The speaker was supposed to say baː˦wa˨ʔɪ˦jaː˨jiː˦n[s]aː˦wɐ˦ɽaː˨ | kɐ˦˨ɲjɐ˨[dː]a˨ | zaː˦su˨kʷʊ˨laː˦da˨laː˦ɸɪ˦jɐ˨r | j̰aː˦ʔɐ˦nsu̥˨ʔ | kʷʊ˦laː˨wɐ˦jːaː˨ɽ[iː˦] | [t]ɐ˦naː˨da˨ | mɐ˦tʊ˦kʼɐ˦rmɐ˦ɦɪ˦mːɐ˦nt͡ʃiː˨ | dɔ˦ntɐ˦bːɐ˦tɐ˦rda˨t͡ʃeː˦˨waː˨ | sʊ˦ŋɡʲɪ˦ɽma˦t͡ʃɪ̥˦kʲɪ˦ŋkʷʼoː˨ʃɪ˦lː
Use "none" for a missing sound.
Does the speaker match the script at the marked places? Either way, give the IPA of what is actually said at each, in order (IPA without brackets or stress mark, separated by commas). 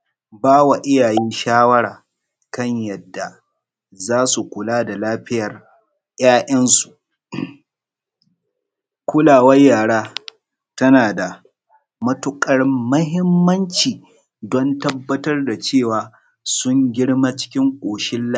ʃ, dː, aː˦, t